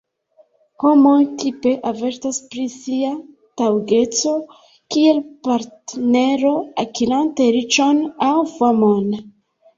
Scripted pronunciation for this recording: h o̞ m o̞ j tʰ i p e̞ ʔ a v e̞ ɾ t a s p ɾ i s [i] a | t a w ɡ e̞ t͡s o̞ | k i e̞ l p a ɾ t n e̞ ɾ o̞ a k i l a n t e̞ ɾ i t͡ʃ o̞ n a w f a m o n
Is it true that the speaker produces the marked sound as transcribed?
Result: yes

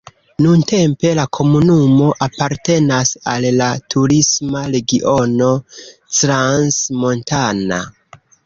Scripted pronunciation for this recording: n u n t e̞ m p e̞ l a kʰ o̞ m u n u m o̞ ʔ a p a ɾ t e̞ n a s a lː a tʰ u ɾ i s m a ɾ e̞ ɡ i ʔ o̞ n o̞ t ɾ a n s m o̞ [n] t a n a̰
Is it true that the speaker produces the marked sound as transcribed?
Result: yes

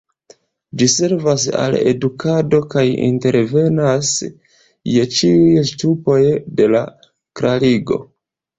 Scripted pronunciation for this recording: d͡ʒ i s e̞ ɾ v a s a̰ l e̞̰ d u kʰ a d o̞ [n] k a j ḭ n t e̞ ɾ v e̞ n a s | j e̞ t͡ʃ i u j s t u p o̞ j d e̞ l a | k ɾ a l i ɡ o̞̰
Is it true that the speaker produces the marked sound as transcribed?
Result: no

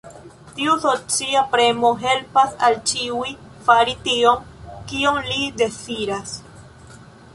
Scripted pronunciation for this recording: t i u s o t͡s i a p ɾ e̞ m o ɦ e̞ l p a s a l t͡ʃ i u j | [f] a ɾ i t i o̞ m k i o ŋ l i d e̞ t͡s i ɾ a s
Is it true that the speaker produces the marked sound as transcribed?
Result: yes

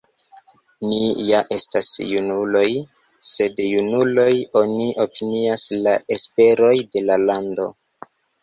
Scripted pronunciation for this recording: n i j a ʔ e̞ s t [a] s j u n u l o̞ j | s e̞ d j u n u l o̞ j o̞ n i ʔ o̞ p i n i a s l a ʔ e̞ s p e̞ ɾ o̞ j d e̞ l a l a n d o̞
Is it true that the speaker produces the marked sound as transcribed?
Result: yes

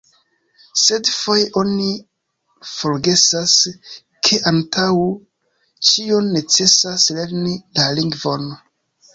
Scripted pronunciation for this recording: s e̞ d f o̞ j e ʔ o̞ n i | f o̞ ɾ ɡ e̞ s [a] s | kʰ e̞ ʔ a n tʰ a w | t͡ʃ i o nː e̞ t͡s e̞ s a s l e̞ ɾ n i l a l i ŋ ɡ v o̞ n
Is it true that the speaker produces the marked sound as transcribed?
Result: yes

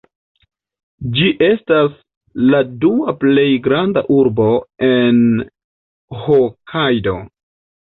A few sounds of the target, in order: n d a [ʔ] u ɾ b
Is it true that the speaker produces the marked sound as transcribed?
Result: yes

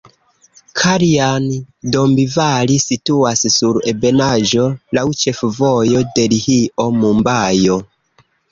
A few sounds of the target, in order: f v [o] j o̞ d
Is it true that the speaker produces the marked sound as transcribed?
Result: yes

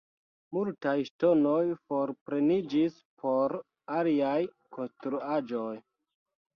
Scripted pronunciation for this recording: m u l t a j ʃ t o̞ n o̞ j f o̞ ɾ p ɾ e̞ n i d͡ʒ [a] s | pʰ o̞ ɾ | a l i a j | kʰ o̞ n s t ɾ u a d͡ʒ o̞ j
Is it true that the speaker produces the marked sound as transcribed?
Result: no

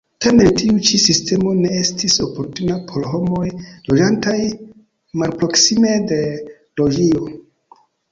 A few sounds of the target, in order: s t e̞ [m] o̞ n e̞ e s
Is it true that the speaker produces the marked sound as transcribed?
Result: yes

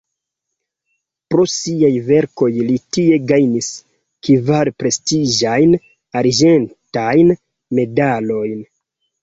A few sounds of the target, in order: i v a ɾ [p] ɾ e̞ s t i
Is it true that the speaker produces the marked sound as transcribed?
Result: yes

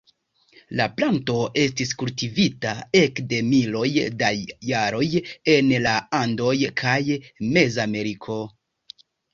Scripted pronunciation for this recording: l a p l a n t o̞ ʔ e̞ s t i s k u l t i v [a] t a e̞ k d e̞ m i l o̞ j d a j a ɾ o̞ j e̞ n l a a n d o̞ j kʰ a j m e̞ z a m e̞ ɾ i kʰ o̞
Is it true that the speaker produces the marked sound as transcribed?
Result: no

